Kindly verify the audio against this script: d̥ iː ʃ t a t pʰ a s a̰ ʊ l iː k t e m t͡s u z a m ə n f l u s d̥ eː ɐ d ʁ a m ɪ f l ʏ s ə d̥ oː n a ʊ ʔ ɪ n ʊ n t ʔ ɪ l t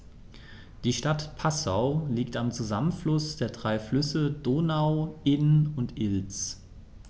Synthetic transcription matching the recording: d̥ iː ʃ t a t pʰ a s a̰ ʊ l iː k t a m t͡s u z a m ə n f l ʊ s d̥ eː ɐ d ʁ a ɪ f l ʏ s ə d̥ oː n a ʊ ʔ ɪ n ʊ n t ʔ ɪ l t͡s

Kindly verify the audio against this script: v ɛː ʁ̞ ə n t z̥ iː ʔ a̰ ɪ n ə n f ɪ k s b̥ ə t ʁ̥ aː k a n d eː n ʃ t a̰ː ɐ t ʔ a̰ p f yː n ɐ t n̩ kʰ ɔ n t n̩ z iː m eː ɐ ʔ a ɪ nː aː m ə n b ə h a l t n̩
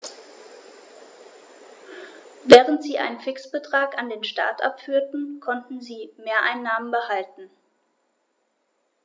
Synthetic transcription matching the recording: v ɛː ʁ̞ ə n t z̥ iː ʔ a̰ ɪ n ə n f ɪ k s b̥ ə t ʁ̥ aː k a n d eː n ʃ t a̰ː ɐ t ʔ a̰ p f yː ɐ t n̩ kʰ ɔ n t n̩ z iː m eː ɐ ʔ a ɪ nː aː m ə n b ə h a l t n̩

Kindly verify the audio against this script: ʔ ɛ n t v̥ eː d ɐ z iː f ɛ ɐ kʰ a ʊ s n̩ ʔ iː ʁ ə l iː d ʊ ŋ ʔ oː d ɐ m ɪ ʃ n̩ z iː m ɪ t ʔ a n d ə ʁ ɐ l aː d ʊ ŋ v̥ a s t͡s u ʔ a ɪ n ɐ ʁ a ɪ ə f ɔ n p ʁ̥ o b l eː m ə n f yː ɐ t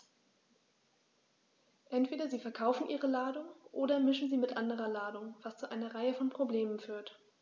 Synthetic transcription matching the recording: ʔ ɛ n t v̥ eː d ɐ z iː f ɛ ɐ kʰ a ʊ f n̩ ʔ iː ʁ ə l aː d ʊ ŋ ʔ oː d ɐ m ɪ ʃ n̩ z iː m ɪ t ʔ a n d ə ʁ ɐ l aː d ʊ ŋ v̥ a s t͡s u ʔ a ɪ n ɐ ʁ a ɪ ə f ɔ n p ʁ̥ o b l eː m ə n f yː ɐ t

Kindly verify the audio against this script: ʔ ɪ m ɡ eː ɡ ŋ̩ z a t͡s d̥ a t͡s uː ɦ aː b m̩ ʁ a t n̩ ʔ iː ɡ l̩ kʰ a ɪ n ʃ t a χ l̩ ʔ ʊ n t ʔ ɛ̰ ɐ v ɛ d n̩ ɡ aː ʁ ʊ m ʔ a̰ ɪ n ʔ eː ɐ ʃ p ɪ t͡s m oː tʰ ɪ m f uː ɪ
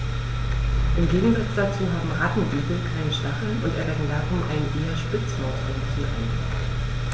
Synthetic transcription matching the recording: ʔ ɪ m ɡ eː ɡ ŋ̩ z a t͡s d̥ a t͡s uː ɦ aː b m̩ ʁ a t n̩ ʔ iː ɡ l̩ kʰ a ɪ n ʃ t a χ l̩ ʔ ʊ n t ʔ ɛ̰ ɐ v ɛ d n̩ d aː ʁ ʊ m ʔ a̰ ɪ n ʔ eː ɐ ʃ p ɪ t͡s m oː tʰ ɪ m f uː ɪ

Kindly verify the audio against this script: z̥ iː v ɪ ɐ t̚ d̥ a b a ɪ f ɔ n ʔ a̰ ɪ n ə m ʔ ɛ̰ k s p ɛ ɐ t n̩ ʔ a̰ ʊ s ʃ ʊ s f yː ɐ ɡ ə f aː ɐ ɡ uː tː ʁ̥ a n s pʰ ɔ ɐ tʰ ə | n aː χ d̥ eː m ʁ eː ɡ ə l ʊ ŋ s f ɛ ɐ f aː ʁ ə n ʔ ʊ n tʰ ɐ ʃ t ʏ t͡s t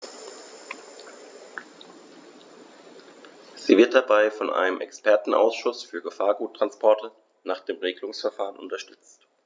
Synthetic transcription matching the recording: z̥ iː v ɪ ɐ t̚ d̥ a b a ɪ f ɔ n ʔ a̰ ɪ n ə m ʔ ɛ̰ k s p ɛ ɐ t n̩ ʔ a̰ ʊ s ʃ ʊ s f yː ɐ ɡ ə f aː ɐ ɡ uː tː ʁ̥ a n s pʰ ɔ ɐ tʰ ə | n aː χ d̥ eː m ʁ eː ɡ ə l ʊ ŋ s f ɛ ɐ f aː ʁ ə n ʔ ʊ n t ɐ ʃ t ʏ t͡s t

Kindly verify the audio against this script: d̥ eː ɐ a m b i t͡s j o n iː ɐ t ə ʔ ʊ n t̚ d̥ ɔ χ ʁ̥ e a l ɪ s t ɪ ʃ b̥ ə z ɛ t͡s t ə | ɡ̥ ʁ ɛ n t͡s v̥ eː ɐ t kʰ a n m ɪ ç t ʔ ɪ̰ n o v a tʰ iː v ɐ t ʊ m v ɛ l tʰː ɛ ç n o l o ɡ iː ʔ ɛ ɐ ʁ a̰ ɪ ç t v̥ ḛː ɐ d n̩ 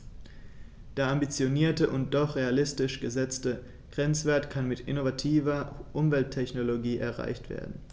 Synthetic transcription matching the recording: d̥ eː ɐ a m b i t͡s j o n iː ɐ t ə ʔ ʊ n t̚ d̥ ɔ χ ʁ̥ e a l ɪ s t ɪ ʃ ɡ̥ ə z ɛ t͡s t ə | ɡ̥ ʁ ɛ n t͡s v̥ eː ɐ t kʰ a n m ɪ t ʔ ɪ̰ n o v a tʰ iː v ɐ ʔ ʊ m v ɛ l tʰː ɛ ç n o l o ɡ iː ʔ ɛ ɐ ʁ a̰ ɪ ç t v̥ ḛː ɐ d n̩

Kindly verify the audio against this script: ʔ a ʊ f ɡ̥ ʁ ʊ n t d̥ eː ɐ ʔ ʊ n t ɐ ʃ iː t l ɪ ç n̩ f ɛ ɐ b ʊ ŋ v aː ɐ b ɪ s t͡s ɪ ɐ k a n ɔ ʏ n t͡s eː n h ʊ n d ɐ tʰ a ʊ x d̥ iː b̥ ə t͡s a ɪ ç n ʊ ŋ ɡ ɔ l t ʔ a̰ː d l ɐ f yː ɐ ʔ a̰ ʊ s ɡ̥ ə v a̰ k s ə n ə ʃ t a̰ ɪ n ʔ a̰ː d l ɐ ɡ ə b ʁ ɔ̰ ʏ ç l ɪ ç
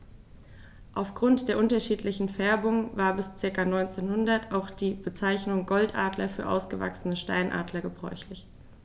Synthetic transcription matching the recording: ʔ a ʊ f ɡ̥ ʁ ʊ n t d̥ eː ɐ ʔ ʊ n t ɐ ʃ iː t l ɪ ç n̩ f ɛ ɐ b ʊ ŋ v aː ɐ b ɪ s t͡s ɪ ɐ k a n ɔ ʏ n t͡s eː n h ʊ n d ɐ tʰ a ʊ x d̥ iː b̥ ə t͡s a ɪ ç n ʊ ŋ ɡ ɔ l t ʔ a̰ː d l ɐ f yː ɐ ʔ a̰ ʊ s ɡ̥ ə v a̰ k s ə n ə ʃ t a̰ ɪ n ʔ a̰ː d l ɐ ɡ ə b ʁ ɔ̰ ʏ ç l ɪ ç

